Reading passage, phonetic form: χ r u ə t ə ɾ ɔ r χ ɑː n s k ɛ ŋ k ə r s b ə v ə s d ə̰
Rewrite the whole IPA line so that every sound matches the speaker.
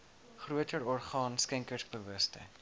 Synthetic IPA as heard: χ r u ə t ə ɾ ɔ r χ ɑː n s k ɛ ŋ k ə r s b ə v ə s t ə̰